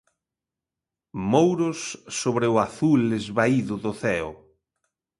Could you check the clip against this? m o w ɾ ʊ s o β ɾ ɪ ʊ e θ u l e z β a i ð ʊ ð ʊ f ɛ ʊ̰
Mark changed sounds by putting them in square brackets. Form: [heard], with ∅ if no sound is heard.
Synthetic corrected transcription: m o w ɾ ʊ [sː] o β ɾ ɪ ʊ [a] θ u l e z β a i ð ʊ ð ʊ [θ] ɛ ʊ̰